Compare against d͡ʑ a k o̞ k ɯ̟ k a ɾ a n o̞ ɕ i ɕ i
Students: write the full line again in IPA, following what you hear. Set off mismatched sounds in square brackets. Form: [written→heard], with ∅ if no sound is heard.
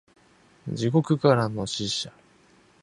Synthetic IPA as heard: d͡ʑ [a→i] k o̞ k ɯ̟ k a ɾ a n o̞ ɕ i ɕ [i→a]